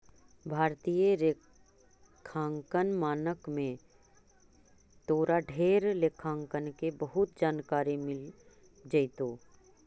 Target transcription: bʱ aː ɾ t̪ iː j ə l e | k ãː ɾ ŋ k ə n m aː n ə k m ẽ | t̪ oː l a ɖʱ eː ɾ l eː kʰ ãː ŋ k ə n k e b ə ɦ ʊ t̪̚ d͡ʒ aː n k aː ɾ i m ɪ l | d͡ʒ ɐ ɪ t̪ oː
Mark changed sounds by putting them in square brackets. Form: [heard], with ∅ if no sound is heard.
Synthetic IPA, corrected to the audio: bʱ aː ɾ t̪ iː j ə [ɾ] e | [kʰ] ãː [∅] ŋ k ə n m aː n ə k m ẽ | t̪ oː [ɾ] a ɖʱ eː ɾ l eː kʰ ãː ŋ k ə n k e b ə ɦ ʊ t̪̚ d͡ʒ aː n k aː ɾ i m ɪ l | d͡ʒ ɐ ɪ t̪ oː